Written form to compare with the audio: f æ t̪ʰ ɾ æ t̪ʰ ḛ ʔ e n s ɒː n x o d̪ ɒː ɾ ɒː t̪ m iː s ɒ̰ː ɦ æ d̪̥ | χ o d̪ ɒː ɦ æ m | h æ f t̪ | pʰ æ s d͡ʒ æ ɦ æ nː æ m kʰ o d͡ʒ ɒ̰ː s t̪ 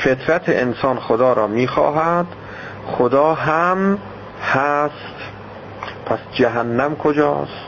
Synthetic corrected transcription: f e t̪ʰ ɾ æ t̪ʰ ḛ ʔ e n s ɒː n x o d̪ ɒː ɾ ɒː m iː x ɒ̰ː ɦ æ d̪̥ | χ o d̪ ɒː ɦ æ m | h æ s t̪ | pʰ æ s d͡ʒ æ ɦ æ nː æ m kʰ o d͡ʒ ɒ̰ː s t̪